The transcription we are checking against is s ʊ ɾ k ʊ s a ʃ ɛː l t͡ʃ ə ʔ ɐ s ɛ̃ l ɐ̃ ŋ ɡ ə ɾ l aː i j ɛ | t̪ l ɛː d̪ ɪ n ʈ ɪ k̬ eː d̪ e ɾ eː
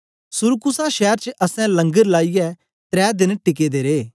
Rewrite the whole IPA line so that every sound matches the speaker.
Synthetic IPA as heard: s ʊ ɾ k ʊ s a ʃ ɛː ɾ t͡ʃ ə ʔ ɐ s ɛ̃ l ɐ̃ ŋ ɡ ə ɾ l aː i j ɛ | t̪ ɾ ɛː d̪ ɪ n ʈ ɪ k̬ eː d̪ e ɾ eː